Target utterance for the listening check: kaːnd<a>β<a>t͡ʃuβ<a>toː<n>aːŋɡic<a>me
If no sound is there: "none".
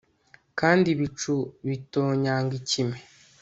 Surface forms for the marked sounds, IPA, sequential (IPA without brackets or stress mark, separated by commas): i, i, i, ɲ, i